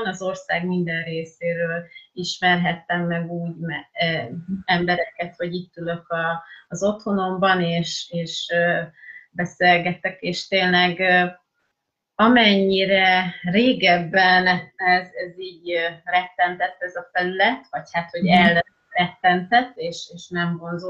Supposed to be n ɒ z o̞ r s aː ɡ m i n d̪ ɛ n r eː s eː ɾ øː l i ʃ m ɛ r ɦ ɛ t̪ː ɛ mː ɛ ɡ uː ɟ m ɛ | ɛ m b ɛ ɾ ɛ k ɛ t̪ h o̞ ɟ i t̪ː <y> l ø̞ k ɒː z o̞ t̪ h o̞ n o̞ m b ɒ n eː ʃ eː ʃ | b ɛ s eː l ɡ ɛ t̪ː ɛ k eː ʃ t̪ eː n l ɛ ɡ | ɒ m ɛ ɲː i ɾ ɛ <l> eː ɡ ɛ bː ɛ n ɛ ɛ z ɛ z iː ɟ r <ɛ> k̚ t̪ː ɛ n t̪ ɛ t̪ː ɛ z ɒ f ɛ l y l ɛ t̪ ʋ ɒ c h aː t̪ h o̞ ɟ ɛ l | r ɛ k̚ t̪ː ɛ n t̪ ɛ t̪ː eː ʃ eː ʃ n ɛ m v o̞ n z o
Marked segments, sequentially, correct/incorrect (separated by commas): correct, incorrect, correct